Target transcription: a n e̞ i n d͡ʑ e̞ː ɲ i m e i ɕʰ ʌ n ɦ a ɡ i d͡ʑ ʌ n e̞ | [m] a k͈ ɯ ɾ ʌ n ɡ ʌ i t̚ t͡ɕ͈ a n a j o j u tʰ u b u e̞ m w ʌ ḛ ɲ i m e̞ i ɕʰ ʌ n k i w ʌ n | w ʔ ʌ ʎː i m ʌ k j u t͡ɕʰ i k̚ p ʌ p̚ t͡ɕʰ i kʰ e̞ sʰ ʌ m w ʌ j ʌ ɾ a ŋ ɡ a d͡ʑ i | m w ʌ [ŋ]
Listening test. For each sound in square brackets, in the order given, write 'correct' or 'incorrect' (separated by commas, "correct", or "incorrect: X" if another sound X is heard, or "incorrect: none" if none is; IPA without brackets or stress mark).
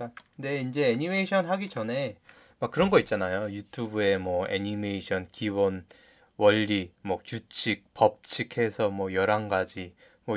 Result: correct, incorrect: none